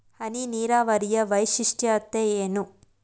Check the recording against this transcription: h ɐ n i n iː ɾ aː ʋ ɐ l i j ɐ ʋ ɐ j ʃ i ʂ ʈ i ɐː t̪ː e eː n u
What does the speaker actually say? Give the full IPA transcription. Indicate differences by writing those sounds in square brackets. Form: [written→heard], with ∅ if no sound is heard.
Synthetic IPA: h ɐ n i n iː ɾ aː ʋ ɐ [l→ɾ] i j ɐ ʋ ɐ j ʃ i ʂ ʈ [i→j] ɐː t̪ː e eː n u

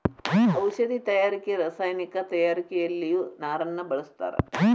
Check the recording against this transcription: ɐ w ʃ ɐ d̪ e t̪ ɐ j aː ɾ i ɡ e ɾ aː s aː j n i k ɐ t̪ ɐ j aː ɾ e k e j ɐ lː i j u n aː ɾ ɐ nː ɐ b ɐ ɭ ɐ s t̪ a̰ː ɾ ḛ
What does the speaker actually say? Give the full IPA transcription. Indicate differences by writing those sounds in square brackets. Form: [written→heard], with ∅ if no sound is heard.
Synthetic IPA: ɐ w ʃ ɐ d̪ [e→i] t̪ ɐ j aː ɾ i [ɡ→k] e ɾ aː s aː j n i k ɐ t̪ ɐ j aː ɾ [e→i] k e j ɐ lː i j u n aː ɾ ɐ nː ɐ b ɐ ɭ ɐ s t̪ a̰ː ɾ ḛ

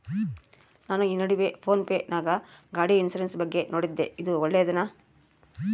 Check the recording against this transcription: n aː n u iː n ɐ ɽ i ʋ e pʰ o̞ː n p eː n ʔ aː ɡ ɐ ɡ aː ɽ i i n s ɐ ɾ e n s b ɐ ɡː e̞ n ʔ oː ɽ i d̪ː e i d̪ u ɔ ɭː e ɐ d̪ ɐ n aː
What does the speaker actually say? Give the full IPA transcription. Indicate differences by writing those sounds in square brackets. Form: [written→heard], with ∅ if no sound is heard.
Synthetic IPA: n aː n u iː n ɐ ɽ i ʋ e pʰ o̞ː n p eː n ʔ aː ɡ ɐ ɡ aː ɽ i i n s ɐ ɾ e n s b ɐ ɡː e̞ n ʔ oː ɽ i d̪ː e i d̪ u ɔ ɭː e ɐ d̪ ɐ n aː

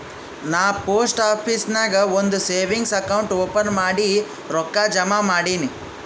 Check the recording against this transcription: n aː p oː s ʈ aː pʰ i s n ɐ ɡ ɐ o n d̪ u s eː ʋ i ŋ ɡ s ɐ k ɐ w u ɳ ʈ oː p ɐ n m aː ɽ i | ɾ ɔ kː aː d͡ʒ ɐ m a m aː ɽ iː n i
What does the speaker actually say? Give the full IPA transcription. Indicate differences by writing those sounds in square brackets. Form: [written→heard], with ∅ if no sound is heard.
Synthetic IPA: n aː p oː s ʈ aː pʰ i s n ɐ ɡ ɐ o n d̪ u s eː ʋ i ŋ ɡ s ɐ k ɐ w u ɳ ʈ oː p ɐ n m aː ɽ i | ɾ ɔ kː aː d͡ʒ ɐ m a m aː ɽ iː n i

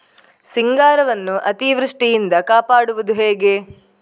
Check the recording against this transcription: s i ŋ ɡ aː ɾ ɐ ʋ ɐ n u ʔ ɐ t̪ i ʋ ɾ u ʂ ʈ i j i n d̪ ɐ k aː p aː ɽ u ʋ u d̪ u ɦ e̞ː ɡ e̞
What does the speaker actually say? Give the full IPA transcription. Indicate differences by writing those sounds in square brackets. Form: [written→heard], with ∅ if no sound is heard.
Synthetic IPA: s i ŋ ɡ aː ɾ ɐ ʋ ɐ [n→nː] u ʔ ɐ t̪ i ʋ ɾ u ʂ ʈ i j i n d̪ ɐ k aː p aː ɽ u ʋ u d̪ u ɦ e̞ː ɡ e̞

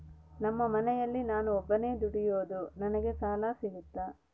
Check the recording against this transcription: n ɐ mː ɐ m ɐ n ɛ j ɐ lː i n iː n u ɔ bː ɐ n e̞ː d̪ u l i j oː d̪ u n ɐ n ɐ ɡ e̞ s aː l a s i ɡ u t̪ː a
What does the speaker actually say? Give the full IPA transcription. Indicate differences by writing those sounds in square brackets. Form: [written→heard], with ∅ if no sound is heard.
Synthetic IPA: n ɐ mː ɐ m ɐ n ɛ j ɐ lː i n [iː→aː] n u ɔ bː ɐ n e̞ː d̪ u [l→ɽ] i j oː d̪ u n ɐ n ɐ ɡ e̞ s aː l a s i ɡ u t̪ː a

